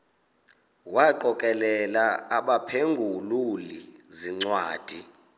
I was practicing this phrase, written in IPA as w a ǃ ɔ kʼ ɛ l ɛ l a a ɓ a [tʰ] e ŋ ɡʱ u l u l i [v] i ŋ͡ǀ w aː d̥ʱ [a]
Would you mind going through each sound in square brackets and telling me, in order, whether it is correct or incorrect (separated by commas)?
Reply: incorrect, incorrect, incorrect